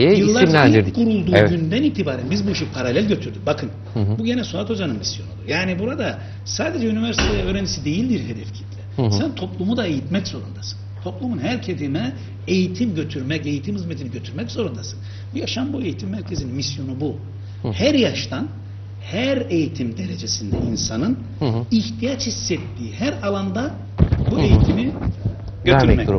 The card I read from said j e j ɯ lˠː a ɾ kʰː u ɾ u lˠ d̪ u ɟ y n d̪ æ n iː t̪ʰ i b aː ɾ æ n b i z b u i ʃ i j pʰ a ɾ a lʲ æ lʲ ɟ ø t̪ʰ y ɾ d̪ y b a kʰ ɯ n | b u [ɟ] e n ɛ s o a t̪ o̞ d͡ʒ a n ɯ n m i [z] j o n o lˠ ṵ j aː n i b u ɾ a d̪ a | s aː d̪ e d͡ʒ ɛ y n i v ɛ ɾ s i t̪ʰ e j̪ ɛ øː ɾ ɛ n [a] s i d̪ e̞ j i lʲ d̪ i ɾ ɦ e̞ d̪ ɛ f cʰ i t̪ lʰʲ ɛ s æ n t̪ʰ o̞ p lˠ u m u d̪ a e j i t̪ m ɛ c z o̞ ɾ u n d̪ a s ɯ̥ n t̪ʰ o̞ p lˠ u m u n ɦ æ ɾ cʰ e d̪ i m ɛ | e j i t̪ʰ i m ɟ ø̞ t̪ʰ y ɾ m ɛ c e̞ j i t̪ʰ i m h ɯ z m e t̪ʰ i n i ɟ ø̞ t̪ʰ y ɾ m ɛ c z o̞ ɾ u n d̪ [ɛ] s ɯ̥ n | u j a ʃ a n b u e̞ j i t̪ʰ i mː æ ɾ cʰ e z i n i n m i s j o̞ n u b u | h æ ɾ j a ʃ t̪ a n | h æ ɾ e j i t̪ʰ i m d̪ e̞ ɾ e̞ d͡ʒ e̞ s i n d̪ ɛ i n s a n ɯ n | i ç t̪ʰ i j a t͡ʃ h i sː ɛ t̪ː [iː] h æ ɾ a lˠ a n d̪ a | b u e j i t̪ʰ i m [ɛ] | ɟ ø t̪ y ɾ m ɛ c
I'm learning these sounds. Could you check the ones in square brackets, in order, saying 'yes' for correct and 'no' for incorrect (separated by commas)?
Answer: yes, no, no, no, yes, no